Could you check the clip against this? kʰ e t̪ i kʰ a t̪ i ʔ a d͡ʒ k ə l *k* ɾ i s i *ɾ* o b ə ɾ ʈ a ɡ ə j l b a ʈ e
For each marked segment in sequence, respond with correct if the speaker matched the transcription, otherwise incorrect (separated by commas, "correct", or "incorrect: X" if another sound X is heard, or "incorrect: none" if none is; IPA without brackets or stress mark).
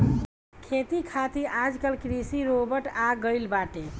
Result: correct, correct